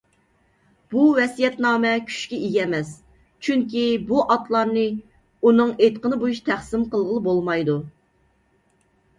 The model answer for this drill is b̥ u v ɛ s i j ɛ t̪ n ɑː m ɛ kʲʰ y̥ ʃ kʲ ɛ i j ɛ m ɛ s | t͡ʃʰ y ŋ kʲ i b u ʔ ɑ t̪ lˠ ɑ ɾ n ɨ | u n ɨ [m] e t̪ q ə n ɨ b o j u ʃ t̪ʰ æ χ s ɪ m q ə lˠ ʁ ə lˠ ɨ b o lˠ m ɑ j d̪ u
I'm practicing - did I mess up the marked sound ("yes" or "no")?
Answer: yes